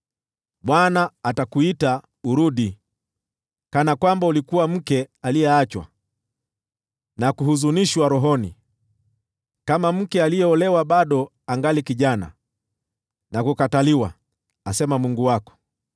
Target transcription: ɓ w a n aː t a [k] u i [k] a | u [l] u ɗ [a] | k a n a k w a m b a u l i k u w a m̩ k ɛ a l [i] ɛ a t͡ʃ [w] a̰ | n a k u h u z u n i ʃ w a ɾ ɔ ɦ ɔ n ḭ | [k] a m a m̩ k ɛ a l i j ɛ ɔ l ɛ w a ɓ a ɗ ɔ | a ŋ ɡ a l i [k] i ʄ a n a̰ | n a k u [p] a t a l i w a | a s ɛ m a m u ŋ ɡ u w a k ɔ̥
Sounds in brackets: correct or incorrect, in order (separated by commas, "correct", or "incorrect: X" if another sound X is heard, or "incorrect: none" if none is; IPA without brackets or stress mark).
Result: correct, incorrect: t, incorrect: ɾ, incorrect: i, correct, correct, correct, correct, incorrect: k